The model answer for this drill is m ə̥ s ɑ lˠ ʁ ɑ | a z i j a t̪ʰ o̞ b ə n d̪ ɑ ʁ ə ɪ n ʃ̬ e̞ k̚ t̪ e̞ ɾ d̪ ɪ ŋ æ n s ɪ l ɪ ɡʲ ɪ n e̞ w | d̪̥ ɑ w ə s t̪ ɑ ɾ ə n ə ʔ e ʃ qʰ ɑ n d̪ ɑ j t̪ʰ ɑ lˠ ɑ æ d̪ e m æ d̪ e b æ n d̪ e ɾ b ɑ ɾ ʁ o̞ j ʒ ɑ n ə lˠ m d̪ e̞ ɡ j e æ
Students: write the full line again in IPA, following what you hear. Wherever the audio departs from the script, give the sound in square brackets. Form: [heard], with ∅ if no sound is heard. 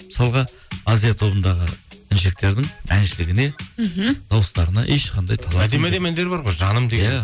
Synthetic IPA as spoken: m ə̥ s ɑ lˠ ʁ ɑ | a z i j a t̪ʰ o̞ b ə n d̪ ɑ ʁ ə ɪ n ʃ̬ e̞ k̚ t̪ e̞ ɾ d̪ ɪ ŋ æ n [ʃ] ɪ l ɪ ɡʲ ɪ n e̞ [∅] | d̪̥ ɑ w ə s t̪ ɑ ɾ ə n [ɑ] ʔ e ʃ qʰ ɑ n d̪ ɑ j t̪ʰ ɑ lˠ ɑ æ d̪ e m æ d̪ e [m] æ n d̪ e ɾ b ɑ ɾ ʁ o̞ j ʒ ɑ n ə [∅] m d̪ e̞ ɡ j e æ